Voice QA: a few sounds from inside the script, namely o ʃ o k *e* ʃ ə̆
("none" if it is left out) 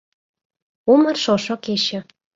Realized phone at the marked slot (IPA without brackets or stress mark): e